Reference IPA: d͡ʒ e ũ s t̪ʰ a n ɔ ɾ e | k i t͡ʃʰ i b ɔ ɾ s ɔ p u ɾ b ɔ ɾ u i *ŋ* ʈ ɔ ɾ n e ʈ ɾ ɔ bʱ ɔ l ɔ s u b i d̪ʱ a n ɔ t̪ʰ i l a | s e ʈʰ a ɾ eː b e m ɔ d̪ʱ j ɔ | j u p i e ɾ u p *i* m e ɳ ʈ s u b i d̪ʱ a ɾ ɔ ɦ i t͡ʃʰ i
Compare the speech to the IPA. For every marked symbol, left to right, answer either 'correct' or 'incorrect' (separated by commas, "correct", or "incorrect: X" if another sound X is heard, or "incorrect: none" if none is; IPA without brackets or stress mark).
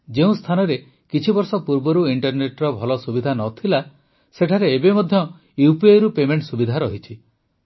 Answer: incorrect: ɳ, incorrect: e